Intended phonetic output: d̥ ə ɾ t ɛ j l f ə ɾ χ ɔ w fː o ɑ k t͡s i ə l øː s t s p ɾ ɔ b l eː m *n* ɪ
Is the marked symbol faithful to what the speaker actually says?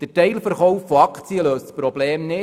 yes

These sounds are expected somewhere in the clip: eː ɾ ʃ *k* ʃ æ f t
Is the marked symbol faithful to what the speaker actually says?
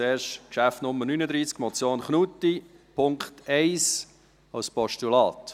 yes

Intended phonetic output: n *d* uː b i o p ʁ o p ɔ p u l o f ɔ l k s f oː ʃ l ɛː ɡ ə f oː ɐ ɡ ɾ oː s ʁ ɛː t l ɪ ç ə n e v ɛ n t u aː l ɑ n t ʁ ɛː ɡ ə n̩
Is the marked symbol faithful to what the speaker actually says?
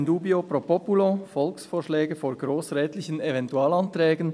yes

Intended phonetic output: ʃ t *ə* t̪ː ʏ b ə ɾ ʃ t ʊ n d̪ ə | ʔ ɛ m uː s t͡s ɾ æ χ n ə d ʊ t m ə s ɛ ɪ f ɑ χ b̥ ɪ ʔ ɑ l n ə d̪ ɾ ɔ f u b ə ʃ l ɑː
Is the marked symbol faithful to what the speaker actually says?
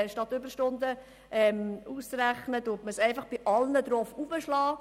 no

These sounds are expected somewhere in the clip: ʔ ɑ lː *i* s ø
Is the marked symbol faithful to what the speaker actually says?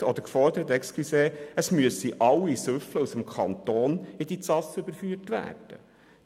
yes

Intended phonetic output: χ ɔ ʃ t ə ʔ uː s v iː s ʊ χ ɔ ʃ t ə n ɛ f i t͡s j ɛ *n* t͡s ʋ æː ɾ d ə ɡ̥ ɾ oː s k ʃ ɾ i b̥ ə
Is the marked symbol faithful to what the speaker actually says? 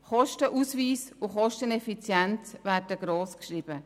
yes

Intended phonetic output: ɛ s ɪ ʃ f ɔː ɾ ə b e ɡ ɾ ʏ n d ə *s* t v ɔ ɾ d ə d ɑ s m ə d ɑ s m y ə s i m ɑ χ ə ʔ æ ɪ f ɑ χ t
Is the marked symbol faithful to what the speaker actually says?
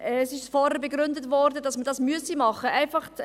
no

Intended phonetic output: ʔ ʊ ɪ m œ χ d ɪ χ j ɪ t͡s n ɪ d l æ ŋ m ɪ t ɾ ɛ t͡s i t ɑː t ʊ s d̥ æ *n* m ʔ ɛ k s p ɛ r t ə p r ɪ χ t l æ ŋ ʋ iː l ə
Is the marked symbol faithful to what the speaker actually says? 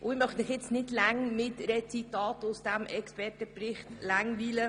no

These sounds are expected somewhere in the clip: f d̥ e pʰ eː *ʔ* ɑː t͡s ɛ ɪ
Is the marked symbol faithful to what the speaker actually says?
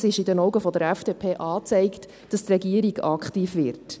yes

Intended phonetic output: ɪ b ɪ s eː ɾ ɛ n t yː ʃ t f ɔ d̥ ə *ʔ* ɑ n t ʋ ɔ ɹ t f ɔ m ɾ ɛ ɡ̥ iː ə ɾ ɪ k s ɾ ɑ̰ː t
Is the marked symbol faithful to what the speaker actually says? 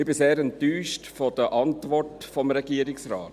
yes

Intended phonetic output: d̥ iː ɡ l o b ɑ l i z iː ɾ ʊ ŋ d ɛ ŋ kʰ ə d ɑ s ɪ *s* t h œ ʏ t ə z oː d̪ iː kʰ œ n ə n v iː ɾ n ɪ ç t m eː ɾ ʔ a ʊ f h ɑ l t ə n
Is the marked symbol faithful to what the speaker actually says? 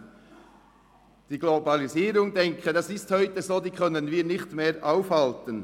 yes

